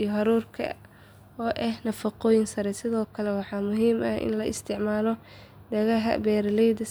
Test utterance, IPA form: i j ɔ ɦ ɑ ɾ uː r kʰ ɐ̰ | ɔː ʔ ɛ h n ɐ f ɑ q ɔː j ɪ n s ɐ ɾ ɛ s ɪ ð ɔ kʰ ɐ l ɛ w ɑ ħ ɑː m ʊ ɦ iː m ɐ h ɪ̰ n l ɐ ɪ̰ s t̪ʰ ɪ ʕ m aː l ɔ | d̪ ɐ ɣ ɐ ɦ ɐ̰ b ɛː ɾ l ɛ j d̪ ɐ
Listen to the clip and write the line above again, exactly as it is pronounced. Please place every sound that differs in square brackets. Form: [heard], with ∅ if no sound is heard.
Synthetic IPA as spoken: i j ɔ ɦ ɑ ɾ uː r kʰ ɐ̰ | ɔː ʔ ɛ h n ɐ f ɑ q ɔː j ɪ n s ɐ ɾ ɛ s ɪ ð [ɔː] kʰ ɐ l ɛ w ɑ ħ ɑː m ʊ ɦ iː m ɐ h ɪ̰ n l ɐ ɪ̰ s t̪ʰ ɪ ʕ m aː l ɔ | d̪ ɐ ɣ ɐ ɦ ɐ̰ b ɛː ɾ l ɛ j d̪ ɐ